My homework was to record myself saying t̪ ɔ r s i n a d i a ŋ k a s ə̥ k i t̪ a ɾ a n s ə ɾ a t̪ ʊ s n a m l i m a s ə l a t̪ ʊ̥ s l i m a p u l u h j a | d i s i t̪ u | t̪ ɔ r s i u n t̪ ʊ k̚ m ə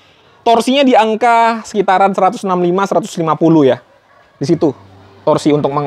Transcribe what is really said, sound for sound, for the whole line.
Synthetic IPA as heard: t̪ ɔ r s i ɲ a d i a ŋ k a s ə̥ k i t̪ a ɾ a n s ə ɾ a t̪ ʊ s n a m l i m a s ə ɾ a t̪ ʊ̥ s l i m a p u l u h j a | d i s i t̪ u | t̪ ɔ r s i u n t̪ ʊ k̚ m ə